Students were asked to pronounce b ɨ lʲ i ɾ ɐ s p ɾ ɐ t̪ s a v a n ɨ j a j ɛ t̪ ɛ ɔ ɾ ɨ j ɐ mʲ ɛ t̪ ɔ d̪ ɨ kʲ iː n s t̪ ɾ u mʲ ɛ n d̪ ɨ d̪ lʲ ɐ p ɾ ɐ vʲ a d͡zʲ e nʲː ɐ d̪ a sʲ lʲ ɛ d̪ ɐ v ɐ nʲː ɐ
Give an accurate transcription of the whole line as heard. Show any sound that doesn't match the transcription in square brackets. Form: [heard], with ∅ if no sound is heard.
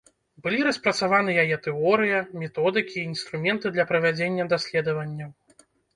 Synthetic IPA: b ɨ lʲ i ɾ ɐ s p ɾ ɐ t̪ s a v a n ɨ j a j ɛ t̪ ɛ ɔ ɾ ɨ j ɐ mʲ ɛ t̪ ɔ d̪ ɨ kʲ iː n s t̪ ɾ u mʲ ɛ n [t̪] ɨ d̪ lʲ ɐ p ɾ ɐ vʲ a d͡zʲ e nʲː ɐ d̪ a sʲ lʲ ɛ d̪ ɐ v ɐ nʲː ɐ